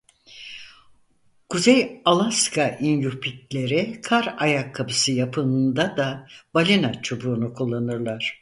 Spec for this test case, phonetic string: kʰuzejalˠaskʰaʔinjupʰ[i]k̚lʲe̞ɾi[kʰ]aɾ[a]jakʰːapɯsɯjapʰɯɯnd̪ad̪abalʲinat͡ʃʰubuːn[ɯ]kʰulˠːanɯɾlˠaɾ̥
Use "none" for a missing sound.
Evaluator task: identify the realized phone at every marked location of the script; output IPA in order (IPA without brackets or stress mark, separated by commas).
i, kʰ, a, u